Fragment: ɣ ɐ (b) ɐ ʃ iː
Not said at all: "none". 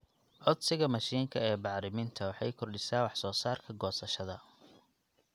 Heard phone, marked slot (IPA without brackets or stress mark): m